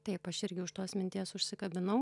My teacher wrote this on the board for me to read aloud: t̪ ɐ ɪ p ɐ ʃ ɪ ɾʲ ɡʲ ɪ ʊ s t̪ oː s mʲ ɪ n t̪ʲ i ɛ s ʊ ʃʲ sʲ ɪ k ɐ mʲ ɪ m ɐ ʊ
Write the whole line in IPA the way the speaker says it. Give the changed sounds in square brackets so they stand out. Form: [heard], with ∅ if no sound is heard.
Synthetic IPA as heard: t̪ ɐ ɪ p ɐ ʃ ɪ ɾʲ ɡʲ ɪ ʊ [ʃ] t̪ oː s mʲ ɪ n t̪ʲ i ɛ s ʊ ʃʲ sʲ ɪ k ɐ [bʲ] ɪ [n] ɐ ʊ